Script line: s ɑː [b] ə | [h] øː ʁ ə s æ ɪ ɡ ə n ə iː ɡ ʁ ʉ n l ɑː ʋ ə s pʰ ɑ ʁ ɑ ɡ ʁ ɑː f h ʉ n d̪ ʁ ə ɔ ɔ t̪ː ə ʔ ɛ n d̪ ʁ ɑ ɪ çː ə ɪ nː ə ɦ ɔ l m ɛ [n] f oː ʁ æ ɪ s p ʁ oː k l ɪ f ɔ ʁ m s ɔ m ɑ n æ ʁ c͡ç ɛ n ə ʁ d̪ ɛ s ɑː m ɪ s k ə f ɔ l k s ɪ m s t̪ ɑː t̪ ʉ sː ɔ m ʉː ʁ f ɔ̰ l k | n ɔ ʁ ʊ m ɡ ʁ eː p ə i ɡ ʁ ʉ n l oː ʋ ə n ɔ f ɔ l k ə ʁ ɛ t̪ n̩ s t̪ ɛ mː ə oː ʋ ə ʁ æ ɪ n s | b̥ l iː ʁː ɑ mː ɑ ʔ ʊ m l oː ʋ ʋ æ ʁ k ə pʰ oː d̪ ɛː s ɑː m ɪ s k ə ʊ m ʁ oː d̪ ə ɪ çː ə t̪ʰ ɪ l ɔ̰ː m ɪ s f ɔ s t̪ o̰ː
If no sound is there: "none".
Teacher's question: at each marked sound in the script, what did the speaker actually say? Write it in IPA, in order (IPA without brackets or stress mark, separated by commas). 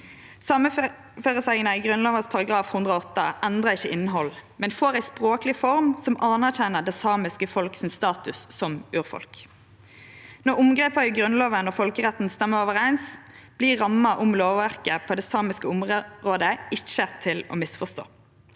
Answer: m, f, n